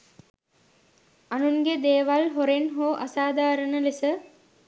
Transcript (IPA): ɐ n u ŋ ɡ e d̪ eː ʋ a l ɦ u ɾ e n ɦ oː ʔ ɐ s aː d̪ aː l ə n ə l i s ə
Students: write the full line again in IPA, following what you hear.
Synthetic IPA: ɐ n u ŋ ɡ e d̪ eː ʋ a l ɦ o ɾ e n ɦ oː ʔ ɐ s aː d̪ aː ɾ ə n ə l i s ə